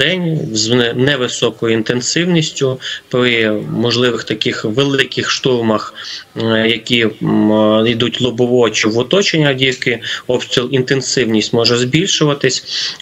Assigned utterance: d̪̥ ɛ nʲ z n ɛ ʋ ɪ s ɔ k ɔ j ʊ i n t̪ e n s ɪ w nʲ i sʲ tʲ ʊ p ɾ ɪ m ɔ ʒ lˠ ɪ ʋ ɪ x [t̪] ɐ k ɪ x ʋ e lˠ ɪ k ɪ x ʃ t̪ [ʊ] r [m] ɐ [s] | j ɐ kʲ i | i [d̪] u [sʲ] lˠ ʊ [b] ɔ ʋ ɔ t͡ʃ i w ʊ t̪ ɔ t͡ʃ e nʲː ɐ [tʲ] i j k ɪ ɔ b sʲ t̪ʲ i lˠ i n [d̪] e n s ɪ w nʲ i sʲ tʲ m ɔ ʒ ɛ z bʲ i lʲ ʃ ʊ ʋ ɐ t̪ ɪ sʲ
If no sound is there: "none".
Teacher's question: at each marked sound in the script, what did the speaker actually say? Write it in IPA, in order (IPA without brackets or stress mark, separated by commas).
t̪, u, m, x, d̪, tʲ, b, dʲ, t̪